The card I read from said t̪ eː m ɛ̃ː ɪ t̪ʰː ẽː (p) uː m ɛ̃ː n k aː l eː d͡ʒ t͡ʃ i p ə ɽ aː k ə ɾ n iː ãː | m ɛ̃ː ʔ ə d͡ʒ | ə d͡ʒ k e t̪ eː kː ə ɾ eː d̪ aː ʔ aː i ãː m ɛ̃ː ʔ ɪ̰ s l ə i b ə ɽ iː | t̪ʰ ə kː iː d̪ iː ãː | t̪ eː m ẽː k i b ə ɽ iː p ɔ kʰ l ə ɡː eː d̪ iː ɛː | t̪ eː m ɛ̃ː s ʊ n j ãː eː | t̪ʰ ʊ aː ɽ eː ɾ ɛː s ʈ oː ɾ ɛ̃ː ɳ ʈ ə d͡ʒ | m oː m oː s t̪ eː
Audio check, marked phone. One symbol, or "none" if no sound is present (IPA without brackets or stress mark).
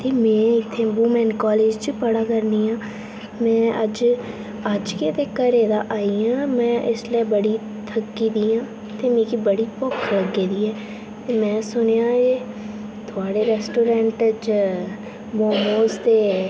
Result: b